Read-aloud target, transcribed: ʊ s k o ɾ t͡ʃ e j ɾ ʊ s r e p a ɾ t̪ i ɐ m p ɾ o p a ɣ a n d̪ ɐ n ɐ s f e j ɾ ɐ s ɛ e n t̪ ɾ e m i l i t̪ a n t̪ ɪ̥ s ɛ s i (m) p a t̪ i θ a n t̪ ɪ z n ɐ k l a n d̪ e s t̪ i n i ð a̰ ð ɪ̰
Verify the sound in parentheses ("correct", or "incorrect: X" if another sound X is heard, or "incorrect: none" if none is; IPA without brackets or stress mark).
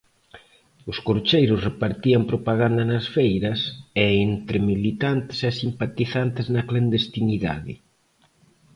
correct